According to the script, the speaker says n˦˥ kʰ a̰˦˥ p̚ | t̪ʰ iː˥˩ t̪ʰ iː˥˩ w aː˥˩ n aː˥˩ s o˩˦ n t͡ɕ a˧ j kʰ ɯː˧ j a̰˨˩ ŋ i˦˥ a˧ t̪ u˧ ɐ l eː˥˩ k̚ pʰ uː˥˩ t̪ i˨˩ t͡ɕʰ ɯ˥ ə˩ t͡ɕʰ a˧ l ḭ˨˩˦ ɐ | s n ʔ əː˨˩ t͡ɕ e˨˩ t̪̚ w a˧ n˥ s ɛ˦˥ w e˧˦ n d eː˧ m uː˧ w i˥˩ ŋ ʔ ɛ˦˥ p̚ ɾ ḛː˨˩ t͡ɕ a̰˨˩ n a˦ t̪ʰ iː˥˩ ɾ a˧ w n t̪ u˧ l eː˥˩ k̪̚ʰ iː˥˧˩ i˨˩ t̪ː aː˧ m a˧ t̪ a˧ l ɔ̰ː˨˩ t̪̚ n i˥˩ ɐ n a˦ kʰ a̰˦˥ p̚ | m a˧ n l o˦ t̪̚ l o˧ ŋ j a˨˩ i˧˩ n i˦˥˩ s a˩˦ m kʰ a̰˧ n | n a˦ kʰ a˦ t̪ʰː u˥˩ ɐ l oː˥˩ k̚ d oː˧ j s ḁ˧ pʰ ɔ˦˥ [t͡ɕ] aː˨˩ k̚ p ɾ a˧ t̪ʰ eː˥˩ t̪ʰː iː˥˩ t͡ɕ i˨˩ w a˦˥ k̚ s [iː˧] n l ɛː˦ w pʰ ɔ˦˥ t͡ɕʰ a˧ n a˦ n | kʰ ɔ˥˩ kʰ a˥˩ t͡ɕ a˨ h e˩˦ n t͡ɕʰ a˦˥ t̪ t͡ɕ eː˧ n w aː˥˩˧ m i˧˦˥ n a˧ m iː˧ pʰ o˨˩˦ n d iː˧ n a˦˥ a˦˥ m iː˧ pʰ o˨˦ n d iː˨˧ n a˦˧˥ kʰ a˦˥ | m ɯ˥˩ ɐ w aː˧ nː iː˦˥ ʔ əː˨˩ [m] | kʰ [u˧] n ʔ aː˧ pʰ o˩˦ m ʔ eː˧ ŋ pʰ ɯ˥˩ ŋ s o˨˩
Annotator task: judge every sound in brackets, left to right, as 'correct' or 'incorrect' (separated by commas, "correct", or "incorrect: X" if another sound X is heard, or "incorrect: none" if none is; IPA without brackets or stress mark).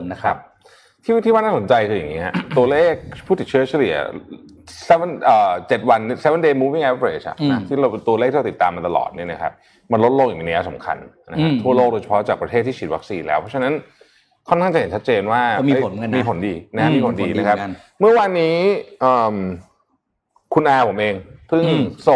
correct, correct, correct, correct